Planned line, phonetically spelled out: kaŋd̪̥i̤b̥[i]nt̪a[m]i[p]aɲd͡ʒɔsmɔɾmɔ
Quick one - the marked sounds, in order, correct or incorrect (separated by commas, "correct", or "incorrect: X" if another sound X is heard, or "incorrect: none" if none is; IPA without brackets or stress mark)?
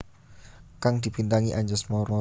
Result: correct, incorrect: ŋ, incorrect: ʔ